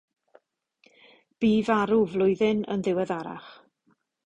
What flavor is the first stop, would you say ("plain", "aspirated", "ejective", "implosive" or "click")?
plain